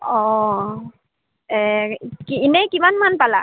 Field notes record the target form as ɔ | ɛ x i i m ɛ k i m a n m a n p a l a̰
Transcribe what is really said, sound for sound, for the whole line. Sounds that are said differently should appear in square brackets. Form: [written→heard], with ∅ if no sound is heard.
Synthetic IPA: ɔ | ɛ [x→k] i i [m→n] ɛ k i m a n m a n p a l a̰

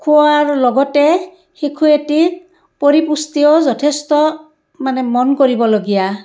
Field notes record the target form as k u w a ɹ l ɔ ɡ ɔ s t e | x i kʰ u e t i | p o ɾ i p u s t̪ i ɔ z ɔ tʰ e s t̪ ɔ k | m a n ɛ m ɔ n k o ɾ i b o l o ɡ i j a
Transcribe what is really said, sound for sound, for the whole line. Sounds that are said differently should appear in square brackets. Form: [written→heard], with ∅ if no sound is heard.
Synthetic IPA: [k→kʰ] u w a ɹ l ɔ ɡ ɔ [s→∅] t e | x i kʰ u e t i | p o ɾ i p u s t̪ i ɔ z ɔ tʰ e s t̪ ɔ [k→∅] | m a n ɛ m ɔ n k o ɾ i b [o→ɔ] l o ɡ i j a

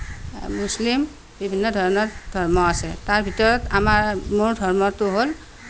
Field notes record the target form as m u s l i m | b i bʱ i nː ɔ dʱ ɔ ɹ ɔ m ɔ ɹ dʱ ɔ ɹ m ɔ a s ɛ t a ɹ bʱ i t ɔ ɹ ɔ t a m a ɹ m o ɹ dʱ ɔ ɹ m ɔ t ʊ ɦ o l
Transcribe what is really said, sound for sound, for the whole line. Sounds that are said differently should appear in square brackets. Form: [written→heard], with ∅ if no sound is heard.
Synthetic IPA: m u s l i m | b i bʱ i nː ɔ dʱ ɔ ɹ ɔ [m→n] ɔ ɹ dʱ ɔ ɹ m ɔ a s ɛ t a ɹ bʱ i t ɔ ɹ ɔ t a m a ɹ m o ɹ dʱ ɔ ɹ m ɔ t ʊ ɦ o l

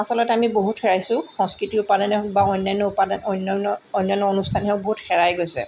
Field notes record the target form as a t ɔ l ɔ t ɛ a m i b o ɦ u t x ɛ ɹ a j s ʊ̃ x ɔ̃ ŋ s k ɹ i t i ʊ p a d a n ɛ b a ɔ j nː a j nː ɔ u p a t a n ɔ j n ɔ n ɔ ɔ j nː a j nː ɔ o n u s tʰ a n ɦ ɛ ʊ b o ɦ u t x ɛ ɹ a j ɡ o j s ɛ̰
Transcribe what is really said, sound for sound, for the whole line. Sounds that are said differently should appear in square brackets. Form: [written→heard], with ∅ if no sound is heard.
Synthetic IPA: a [t→s] ɔ l ɔ t ɛ a m i b o ɦ u t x ɛ ɹ a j s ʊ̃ x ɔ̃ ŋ s k ɹ i t i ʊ p a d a n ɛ b a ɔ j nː a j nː ɔ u p a [t→d] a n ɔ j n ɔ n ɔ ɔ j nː a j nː ɔ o n u s tʰ a n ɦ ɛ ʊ b o ɦ u t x ɛ ɹ a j ɡ o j s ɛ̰

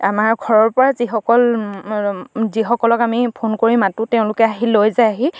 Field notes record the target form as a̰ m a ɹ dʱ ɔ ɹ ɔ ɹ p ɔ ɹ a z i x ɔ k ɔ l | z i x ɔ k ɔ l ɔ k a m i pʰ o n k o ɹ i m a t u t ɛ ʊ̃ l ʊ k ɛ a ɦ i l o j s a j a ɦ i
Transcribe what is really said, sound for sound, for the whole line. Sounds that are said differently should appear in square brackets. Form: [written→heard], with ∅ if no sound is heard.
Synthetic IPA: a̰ m a ɹ [dʱ→ɡʱ] ɔ ɹ ɔ ɹ p ɔ ɹ a z i x ɔ k ɔ l | z i x ɔ k ɔ l ɔ k a m i pʰ o n k o ɹ i m a t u t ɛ ʊ̃ l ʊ k ɛ a ɦ i l o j [s→z] a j a ɦ i

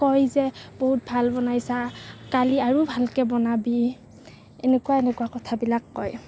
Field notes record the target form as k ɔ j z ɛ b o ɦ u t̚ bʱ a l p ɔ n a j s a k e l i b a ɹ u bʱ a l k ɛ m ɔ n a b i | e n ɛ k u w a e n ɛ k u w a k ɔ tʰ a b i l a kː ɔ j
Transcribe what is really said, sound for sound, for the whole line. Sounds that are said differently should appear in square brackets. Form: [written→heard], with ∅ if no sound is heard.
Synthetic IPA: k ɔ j z ɛ b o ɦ u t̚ bʱ a l [p→b] ɔ n a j s a k [e→a] l i [b→∅] a ɹ u bʱ a l k ɛ [m→b] ɔ n a b i | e n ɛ k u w a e n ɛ k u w a k ɔ tʰ a b i l a kː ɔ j

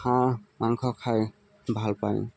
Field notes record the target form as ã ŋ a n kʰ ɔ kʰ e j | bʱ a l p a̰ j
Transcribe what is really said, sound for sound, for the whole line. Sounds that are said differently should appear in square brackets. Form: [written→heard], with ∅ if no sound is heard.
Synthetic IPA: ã [ŋ→m] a [n→ŋ] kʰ ɔ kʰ [e→a] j | bʱ a l p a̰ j

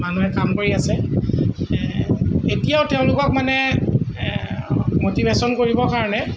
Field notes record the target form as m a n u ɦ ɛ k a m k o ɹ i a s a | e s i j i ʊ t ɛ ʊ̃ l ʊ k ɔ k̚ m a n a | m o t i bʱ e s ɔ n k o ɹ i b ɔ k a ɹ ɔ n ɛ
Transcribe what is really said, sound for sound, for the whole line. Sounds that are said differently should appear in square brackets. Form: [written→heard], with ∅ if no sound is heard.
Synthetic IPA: m a n u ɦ ɛ k a m k o ɹ i a s [a→ɛ] | e [s→t] i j [i→a] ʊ t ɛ ʊ̃ l ʊ k ɔ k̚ m a n [a→ɛ] | m o t i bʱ e s ɔ n k o ɹ i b ɔ k a ɹ ɔ n ɛ

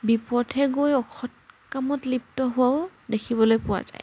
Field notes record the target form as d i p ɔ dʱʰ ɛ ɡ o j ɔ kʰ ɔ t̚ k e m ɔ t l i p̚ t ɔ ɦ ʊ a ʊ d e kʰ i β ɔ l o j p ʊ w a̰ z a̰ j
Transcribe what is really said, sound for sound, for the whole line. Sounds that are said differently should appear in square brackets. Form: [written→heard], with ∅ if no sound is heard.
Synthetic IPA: [d→b] i p ɔ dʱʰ ɛ ɡ o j ɔ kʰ ɔ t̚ k [e→a] m ɔ t l i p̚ t ɔ ɦ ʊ a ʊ d e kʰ i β ɔ l o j p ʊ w a̰ z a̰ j

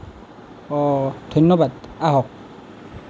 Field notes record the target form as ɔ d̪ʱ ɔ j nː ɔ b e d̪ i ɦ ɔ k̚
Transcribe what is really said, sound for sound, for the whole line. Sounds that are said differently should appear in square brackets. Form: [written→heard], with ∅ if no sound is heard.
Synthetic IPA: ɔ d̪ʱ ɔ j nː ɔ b [e→a] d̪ [i→a] ɦ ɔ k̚

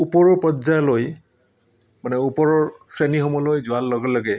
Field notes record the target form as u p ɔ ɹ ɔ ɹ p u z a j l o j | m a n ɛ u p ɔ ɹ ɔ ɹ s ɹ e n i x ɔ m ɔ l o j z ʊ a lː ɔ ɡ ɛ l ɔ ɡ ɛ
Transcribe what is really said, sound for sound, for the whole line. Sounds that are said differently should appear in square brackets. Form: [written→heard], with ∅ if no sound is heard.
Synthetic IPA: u p ɔ ɹ ɔ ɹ p [u→ɔ] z a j l o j | m a n ɛ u p ɔ ɹ ɔ ɹ s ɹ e n i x ɔ m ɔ l o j z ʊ a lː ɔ ɡ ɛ l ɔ ɡ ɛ

